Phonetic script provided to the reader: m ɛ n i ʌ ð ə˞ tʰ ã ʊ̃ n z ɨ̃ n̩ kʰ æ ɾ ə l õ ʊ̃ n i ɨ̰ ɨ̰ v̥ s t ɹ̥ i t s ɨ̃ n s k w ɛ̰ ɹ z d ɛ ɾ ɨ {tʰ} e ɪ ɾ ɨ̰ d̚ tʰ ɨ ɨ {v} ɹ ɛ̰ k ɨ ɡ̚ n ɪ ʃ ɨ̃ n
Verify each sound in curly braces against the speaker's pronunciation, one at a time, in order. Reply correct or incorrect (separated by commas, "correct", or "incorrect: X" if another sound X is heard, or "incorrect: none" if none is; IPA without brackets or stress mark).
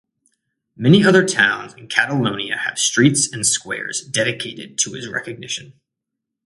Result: incorrect: kʰ, incorrect: z